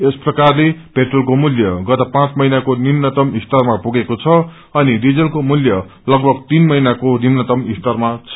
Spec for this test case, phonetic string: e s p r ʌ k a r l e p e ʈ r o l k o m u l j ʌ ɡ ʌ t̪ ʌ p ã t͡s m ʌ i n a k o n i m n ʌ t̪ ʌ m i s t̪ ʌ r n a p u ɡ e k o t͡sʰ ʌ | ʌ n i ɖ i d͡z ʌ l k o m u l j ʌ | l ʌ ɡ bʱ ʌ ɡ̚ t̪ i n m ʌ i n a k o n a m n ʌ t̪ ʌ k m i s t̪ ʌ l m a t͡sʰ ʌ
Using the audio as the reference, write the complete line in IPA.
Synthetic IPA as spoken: e s p r ʌ k a r l e p e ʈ r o l k o m u l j ʌ ɡ ʌ t̪ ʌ p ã t͡s m ʌ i n a k o n i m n ʌ t̪ ʌ m i s t̪ ʌ r m a p u ɡ e k o t͡sʰ ʌ | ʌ n i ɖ i d͡z ʌ l k o m u l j ʌ | l ʌ ɡ bʱ ʌ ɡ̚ t̪ i n m ʌ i n a k o n i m n ʌ t̪ ʌ m i s t̪ ʌ r m a t͡sʰ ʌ

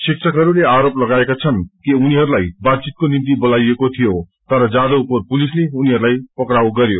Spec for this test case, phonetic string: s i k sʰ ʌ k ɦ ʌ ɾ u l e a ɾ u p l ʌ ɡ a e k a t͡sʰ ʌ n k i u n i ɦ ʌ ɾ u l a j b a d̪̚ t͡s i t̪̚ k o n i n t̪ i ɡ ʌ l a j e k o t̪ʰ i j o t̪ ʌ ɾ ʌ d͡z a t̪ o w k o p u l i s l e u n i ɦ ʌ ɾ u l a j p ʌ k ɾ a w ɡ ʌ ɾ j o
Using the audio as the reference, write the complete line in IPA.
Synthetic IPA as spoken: s i k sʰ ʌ k ɦ ʌ ɾ u l e a ɾ o p l ʌ ɡ a e k a t͡sʰ ʌ n k i u n i ɦ ʌ ɾ u l a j b a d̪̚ t͡s i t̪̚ k o n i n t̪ i b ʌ l a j e k o t̪ʰ i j o t̪ ʌ ɾ ʌ d͡z a d̪ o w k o p u l i s l e u n i ɦ ʌ ɾ u l a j p ʌ k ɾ a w ɡ ʌ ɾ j o

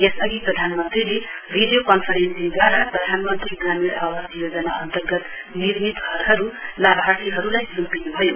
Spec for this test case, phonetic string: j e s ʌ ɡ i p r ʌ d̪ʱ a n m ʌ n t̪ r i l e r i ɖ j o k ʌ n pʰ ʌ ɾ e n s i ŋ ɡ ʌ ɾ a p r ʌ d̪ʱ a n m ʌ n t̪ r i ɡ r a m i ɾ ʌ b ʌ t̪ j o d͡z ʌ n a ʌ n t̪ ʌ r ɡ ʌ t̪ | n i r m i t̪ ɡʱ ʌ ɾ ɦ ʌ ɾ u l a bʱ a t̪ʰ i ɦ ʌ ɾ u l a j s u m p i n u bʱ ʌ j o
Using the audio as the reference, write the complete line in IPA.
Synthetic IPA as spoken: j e s ʌ ɡ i p r ʌ d̪ʱ a n m ʌ n t̪ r i l e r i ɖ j o k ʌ n pʰ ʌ ɾ e n s i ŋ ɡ a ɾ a p r ʌ d̪ʱ a n m ʌ n t̪ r i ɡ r a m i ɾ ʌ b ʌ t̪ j o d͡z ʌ n a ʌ n t̪ ʌ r ɡ ʌ t̪ | n i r m i t̪ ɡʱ ʌ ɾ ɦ ʌ ɾ u l a bʱ a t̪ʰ i ɦ ʌ ɾ u l a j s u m p i n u bʱ ʌ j o

